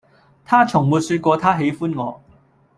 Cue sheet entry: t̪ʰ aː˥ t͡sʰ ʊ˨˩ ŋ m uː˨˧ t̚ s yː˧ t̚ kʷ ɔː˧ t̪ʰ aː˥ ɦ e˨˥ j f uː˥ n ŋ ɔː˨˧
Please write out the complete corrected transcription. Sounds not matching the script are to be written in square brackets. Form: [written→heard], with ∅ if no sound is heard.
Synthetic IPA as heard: t̪ʰ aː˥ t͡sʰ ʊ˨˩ ŋ m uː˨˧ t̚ s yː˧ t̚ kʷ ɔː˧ t̪ʰ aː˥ ɦ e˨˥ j f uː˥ n ŋ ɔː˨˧

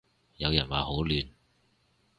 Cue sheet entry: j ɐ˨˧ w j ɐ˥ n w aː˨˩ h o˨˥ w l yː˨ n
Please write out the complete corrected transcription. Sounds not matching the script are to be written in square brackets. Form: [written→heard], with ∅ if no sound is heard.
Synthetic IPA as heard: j ɐ˨˧ w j [ɐ˥→ɐ˨˩] n w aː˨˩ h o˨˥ w l yː˨ n

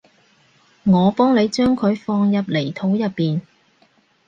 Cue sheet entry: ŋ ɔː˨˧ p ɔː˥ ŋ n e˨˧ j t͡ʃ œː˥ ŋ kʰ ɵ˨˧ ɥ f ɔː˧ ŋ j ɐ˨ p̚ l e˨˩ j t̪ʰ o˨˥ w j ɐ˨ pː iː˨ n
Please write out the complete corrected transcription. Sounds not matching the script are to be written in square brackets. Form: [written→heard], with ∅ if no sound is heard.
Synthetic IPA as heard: ŋ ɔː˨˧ p ɔː˥ ŋ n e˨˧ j t͡ʃ œː˥ ŋ kʰ ɵ˨˧ ɥ f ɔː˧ ŋ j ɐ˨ p̚ l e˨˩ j t̪ʰ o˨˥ w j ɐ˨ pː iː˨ n

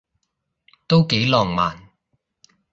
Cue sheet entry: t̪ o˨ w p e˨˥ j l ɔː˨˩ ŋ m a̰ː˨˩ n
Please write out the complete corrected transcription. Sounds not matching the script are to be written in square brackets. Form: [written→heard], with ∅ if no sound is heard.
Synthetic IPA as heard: t̪ [o˨→o˥] w [p→k] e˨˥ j l ɔː˨˩ ŋ m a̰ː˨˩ n

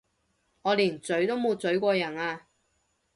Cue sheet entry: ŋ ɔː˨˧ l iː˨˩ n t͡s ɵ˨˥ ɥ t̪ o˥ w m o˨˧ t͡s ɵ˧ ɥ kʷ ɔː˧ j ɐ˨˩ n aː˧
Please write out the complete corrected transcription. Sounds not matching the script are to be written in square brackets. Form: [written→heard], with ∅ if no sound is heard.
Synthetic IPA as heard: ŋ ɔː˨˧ l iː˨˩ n t͡s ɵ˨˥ ɥ t̪ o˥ w m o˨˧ t͡s [ɵ˧→ɵ˨˥] ɥ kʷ ɔː˧ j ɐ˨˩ n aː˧

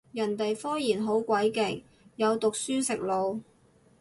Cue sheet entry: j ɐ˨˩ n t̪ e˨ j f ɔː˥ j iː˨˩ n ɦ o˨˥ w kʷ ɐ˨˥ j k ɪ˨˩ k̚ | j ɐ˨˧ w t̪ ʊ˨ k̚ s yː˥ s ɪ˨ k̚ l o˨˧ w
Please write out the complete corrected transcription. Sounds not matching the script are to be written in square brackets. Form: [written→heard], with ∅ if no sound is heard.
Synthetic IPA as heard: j ɐ˨˩ n t̪ e˨ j f ɔː˥ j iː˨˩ n ɦ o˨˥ w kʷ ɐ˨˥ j k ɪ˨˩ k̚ | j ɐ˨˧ w t̪ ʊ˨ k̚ s yː˥ s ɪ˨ k̚ l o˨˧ w

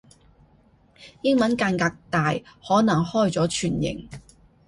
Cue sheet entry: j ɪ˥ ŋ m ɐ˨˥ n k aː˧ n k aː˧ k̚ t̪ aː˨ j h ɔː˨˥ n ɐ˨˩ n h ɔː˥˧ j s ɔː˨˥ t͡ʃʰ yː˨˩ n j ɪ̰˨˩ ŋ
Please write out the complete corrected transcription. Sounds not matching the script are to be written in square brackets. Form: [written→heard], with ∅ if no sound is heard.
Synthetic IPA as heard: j ɪ˥ ŋ m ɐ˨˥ n k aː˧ n k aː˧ k̚ t̪ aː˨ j h ɔː˨˥ n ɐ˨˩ [n→ŋ] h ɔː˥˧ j [s→t͡s] ɔː˨˥ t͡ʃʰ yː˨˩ n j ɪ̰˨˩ ŋ

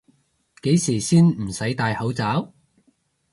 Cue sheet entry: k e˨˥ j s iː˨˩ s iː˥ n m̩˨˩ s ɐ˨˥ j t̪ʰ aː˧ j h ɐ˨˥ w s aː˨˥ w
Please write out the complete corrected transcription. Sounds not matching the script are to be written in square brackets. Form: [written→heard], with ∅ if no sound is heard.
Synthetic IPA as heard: k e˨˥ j s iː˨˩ s iː˥ n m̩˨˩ s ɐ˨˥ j [t̪ʰ→t̪] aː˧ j h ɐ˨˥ w [s→t͡s] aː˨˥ w

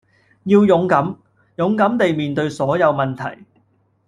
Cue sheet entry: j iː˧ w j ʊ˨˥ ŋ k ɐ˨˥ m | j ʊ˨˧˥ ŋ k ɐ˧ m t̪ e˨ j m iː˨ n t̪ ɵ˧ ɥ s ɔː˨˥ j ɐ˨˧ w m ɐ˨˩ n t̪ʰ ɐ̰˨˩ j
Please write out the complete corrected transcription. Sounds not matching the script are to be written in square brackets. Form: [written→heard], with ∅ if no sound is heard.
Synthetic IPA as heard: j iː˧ w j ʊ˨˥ ŋ k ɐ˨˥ m | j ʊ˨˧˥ ŋ k [ɐ˧→ɐ˨˥] m t̪ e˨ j m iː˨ n t̪ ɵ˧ ɥ s ɔː˨˥ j ɐ˨˧ w m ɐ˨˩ n t̪ʰ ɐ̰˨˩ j

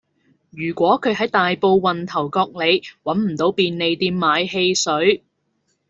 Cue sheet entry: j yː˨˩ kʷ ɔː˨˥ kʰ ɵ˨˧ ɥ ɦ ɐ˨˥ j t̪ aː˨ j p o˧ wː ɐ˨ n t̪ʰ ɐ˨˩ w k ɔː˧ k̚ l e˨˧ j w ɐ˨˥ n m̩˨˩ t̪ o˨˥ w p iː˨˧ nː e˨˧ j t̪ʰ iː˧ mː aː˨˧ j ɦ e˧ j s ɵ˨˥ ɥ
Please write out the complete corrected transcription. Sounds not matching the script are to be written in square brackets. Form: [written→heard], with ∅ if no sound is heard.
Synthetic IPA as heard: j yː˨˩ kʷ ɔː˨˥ kʰ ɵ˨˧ ɥ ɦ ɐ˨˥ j t̪ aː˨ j p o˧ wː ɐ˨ n t̪ʰ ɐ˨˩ w k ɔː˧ k̚ l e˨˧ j w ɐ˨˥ n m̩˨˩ t̪ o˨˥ w p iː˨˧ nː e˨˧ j [t̪ʰ→t̪] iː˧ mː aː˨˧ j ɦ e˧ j s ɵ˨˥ ɥ

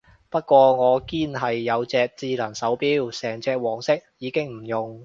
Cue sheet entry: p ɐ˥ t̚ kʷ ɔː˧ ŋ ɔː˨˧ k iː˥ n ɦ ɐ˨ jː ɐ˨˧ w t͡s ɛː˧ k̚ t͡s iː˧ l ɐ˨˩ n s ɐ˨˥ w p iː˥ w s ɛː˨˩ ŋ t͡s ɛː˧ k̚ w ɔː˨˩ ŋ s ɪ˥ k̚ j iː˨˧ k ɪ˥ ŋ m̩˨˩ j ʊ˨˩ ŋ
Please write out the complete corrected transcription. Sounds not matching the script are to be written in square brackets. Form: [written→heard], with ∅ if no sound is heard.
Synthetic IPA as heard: p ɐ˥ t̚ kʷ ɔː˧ ŋ ɔː˨˧ k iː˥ n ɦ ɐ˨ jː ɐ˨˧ w t͡s ɛː˧ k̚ t͡s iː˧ l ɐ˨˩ n s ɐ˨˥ w p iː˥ w s ɛː˨˩ ŋ t͡s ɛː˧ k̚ w ɔː˨˩ ŋ s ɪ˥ k̚ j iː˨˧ k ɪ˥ ŋ m̩˨˩ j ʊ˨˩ ŋ

